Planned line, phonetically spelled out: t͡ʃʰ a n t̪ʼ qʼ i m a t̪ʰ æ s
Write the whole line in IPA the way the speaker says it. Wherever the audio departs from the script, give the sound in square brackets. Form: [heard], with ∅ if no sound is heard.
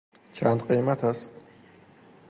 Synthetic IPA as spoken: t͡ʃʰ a n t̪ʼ qʼ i m a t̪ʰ [a] s